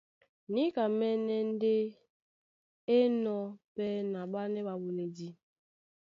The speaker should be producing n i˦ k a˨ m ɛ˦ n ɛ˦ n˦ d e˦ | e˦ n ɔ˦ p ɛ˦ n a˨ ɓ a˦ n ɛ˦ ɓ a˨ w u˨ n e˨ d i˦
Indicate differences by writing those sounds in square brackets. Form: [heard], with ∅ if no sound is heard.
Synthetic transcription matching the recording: n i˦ k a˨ m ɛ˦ n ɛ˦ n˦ d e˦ | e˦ n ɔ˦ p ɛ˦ n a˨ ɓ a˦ n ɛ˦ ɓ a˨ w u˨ n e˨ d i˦